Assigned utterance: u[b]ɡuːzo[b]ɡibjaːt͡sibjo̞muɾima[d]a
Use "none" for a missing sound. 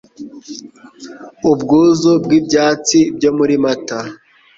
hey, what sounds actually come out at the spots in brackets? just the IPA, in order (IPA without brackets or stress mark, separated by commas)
b, b, t